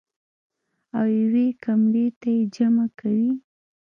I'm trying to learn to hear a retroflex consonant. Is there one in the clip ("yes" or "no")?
no